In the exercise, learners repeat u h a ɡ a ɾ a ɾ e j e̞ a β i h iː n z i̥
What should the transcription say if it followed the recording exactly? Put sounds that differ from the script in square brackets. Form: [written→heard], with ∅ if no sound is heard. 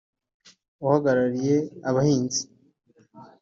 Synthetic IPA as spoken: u h a ɡ a ɾ a ɾ [e→i] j e̞ a β [i→a] h iː n z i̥